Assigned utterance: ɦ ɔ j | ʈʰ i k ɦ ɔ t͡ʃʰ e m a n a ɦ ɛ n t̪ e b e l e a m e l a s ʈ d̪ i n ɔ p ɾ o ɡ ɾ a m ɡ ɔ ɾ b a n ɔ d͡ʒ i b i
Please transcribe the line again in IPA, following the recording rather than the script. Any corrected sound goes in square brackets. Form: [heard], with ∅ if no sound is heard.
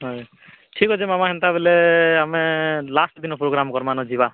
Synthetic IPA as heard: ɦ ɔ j | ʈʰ i k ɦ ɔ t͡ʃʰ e m a [m] a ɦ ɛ n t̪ [a] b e l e a m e l a s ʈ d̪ i n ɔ p ɾ o ɡ ɾ a m [k] ɔ ɾ [m] a n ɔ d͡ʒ i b [a]

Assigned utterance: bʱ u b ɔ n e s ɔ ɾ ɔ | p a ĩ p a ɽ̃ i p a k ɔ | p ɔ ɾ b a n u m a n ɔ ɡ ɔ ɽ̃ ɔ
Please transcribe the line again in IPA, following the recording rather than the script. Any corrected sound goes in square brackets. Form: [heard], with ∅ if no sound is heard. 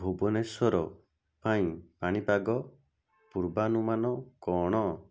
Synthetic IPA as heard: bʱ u b ɔ n e s ɔ ɾ ɔ | p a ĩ p a ɽ̃ i p a [ɡ] ɔ | p [u] ɾ b a n u m a n ɔ [k] ɔ ɽ̃ ɔ

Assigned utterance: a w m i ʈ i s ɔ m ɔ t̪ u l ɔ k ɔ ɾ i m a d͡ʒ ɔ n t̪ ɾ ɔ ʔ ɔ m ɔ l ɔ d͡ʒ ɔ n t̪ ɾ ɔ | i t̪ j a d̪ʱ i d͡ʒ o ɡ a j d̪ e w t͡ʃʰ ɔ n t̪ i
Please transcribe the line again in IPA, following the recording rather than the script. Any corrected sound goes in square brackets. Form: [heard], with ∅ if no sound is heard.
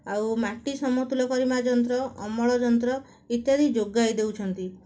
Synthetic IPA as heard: a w m [a] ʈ i s ɔ m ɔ t̪ u l ɔ k ɔ ɾ i m a d͡ʒ ɔ n t̪ ɾ ɔ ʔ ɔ m ɔ [ɭ] ɔ d͡ʒ ɔ n t̪ ɾ ɔ | i t̪ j a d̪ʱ i d͡ʒ o ɡ a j d̪ e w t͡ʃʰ ɔ n t̪ i

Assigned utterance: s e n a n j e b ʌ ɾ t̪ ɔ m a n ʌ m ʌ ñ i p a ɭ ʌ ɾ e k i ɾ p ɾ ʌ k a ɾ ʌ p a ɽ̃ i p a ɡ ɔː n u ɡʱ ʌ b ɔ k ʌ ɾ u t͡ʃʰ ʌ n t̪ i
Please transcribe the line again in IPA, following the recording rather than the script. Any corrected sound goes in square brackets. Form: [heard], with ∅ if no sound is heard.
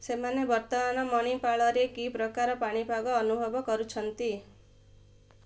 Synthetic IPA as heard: s e [m] a n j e b ʌ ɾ t̪ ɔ m a n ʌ m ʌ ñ i p a ɭ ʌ ɾ e k i [∅] p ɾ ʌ k a ɾ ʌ p a ɽ̃ i p a ɡ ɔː n u [bʱ] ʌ b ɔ k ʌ ɾ u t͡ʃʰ ʌ n t̪ i

